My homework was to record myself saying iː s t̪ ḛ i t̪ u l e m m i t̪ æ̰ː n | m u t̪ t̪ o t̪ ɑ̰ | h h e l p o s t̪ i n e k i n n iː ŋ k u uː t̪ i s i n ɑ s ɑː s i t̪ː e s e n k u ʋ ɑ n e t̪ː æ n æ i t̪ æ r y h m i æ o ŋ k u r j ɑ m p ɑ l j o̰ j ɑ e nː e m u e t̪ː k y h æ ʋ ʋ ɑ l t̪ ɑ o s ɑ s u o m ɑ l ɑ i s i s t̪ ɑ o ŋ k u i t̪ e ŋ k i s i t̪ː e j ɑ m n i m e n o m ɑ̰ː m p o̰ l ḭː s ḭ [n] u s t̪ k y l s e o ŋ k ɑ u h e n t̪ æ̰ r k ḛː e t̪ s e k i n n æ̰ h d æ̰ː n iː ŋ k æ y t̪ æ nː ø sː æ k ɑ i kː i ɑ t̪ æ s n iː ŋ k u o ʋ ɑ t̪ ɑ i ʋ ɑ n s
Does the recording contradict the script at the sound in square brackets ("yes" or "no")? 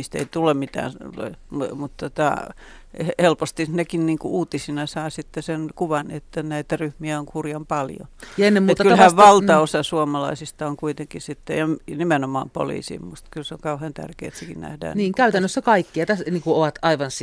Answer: yes